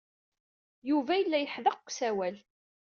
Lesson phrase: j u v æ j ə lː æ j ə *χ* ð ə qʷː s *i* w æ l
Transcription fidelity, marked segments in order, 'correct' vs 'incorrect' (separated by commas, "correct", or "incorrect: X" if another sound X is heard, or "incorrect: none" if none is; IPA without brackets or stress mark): incorrect: ħ, incorrect: æ